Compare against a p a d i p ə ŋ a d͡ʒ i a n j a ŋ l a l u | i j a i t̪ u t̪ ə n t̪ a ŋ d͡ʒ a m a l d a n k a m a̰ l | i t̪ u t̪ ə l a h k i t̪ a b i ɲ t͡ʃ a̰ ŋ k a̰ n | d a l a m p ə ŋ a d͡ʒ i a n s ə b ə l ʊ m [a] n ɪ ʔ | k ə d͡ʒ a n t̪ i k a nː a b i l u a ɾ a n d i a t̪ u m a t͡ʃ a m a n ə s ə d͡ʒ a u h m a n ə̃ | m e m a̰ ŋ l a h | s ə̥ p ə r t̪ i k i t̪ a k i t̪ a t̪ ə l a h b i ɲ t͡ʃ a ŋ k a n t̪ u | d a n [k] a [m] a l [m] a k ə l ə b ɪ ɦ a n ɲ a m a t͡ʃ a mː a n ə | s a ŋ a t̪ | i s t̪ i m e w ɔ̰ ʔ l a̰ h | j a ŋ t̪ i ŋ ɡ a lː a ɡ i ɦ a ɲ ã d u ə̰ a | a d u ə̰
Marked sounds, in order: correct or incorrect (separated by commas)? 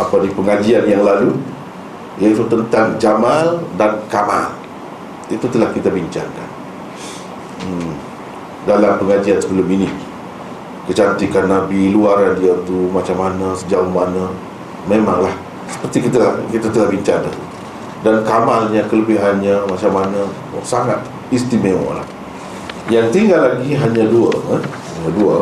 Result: incorrect, correct, correct, incorrect